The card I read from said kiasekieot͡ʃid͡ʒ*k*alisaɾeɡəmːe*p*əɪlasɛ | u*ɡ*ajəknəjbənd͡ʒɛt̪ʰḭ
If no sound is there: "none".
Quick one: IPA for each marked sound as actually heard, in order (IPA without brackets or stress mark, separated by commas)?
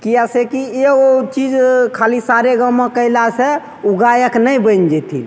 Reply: kʰ, k, ɡ